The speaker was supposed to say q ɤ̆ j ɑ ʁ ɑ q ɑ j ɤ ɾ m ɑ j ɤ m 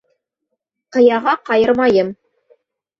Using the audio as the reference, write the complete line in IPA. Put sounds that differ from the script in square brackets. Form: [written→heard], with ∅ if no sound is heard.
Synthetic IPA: q ɤ̆ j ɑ ʁ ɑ q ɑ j ɤ ɾ m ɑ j ɤ m